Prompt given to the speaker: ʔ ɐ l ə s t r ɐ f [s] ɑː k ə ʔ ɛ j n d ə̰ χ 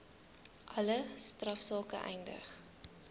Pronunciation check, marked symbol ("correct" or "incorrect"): correct